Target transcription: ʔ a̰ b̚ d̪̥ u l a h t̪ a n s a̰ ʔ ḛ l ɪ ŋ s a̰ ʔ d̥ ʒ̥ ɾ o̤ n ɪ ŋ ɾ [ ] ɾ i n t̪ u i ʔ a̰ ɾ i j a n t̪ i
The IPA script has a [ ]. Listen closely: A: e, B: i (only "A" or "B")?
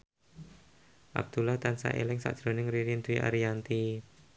B